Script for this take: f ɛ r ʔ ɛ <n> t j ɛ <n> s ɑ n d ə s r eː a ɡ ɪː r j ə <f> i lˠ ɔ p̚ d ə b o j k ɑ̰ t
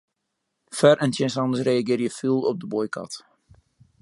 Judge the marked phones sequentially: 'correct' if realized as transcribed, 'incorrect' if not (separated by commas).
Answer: correct, correct, correct